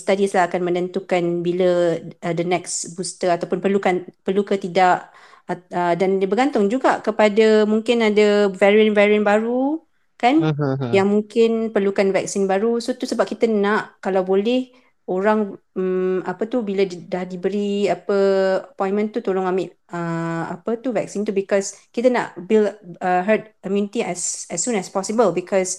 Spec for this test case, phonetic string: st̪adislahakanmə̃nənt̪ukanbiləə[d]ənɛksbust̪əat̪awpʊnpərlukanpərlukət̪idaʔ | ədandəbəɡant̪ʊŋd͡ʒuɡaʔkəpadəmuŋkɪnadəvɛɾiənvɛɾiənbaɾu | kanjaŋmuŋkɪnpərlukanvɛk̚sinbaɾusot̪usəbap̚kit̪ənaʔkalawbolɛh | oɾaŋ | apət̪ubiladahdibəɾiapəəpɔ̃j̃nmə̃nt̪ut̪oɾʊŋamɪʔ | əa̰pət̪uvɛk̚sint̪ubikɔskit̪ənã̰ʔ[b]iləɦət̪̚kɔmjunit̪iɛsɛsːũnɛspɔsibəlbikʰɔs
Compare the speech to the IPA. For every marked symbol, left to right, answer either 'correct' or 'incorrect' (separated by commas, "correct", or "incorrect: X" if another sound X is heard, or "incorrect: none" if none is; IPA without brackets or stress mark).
correct, correct